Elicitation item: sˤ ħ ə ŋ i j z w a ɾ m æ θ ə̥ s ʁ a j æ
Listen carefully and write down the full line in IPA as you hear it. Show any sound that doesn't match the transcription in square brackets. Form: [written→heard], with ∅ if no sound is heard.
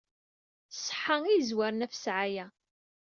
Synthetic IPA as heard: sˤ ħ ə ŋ i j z w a ɾ [m→n] æ [θ→f] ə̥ s [ʁ→ʕ] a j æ